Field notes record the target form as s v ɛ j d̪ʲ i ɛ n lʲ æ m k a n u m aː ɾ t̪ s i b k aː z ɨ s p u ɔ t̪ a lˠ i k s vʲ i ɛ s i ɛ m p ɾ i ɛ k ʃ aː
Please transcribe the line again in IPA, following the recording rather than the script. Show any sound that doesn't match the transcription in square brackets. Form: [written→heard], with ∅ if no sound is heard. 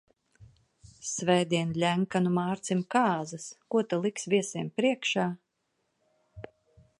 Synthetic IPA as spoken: s v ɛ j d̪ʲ i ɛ n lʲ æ [m→ŋ] k a n u m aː ɾ t̪ s i [b→m] k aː z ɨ s [p→k] u ɔ t̪ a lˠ i k s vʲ i ɛ s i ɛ m p ɾ i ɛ k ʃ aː